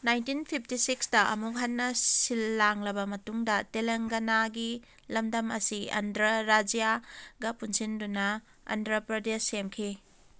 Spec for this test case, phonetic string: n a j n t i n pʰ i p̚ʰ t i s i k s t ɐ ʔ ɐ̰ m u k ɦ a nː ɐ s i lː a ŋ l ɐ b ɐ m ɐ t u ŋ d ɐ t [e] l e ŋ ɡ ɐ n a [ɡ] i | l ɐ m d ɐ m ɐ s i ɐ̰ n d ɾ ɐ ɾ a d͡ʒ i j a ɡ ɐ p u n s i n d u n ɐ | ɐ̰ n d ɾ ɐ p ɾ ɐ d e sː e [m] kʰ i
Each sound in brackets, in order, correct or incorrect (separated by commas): correct, correct, correct